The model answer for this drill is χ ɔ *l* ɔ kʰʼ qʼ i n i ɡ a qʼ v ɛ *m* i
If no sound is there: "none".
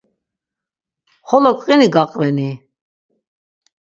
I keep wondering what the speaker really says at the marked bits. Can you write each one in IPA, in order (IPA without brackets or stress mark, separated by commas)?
l, n